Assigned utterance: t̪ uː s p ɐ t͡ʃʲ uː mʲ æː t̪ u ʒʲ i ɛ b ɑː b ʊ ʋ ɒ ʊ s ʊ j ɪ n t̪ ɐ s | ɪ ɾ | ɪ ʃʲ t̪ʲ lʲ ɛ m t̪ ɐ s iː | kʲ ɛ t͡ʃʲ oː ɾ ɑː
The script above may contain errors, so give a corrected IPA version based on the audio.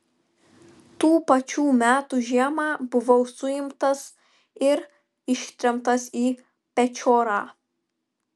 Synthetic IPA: t̪ uː p ɐ t͡ʃʲ uː mʲ æː t̪ u ʒʲ i ɛ m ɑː b ʊ ʋ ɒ ʊ s ʊ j ɪ m t̪ ɐ s | ɪ ɾ | ɪ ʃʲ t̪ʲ ɾʲ ɛ m t̪ ɐ s iː | pʲ ɛ t͡ʃʲ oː ɾ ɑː